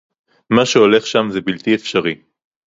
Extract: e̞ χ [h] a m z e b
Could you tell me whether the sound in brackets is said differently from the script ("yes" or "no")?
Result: yes